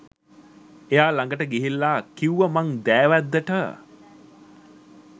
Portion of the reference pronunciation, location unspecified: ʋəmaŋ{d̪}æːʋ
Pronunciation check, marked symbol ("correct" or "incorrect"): correct